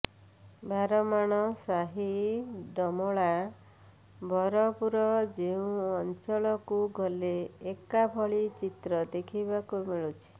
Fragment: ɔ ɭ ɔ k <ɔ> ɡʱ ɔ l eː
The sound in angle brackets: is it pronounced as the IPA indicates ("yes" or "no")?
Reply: no